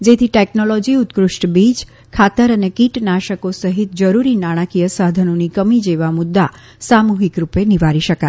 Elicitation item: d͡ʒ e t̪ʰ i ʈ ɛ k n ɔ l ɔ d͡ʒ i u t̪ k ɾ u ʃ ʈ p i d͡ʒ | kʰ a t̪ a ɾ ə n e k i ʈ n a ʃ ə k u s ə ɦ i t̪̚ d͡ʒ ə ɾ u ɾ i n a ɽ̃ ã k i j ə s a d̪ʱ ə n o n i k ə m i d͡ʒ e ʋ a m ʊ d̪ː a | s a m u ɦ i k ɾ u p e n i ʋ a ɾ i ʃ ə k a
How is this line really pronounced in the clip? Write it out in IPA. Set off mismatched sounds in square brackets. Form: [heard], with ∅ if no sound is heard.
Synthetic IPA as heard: d͡ʒ e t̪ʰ i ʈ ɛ k n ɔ l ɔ d͡ʒ i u t̪ k ɾ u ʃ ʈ [b] i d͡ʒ | kʰ a t̪ [ə] ɾ ə n e k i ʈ n a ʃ ə k [o] s ə ɦ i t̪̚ d͡ʒ ə ɾ u ɾ i n a ɽ̃ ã k i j ə s a d̪ʱ ə n o n i k ə m i d͡ʒ e ʋ a m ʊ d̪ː a | s a m u ɦ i k ɾ u p e n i ʋ a ɾ i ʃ ə k a

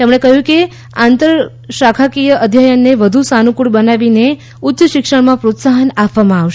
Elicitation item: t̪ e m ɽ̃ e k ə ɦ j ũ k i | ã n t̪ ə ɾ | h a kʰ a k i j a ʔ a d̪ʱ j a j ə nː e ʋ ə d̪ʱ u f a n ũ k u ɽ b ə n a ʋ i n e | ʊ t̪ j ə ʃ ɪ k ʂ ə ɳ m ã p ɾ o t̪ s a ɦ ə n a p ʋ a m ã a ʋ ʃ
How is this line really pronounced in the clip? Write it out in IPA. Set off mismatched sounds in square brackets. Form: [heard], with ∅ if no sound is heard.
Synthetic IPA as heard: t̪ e m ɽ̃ e k ə ɦ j ũ k [e] | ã n t̪ ə ɾ | [ʃ] a kʰ a k i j [ə] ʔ [ə] d̪ʱ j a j ə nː e ʋ ə d̪ʱ u [s] a n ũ k u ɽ b ə n a ʋ i n e | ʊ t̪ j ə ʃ ɪ k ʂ ə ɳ m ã p ɾ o t̪ s a ɦ ə n a p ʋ a m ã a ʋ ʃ

